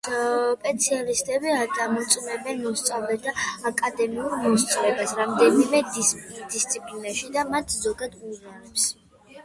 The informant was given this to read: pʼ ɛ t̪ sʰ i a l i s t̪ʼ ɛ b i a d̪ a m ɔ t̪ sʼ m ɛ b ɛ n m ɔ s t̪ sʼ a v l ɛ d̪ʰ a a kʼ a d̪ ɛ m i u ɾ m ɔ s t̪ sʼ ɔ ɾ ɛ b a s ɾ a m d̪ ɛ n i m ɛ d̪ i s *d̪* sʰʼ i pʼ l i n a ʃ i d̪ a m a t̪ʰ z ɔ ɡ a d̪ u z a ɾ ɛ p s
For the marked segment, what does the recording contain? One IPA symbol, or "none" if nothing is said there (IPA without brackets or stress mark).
t̪